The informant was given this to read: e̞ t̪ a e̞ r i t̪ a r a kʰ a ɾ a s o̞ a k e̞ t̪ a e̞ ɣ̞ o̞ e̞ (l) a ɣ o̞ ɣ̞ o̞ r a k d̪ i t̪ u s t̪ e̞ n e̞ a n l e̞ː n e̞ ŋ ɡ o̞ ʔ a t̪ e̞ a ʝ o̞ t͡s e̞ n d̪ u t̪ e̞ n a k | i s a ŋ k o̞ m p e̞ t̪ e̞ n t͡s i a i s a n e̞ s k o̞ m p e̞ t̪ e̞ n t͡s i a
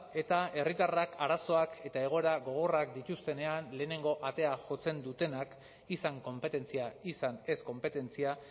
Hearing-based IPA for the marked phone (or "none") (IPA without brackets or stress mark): ɾ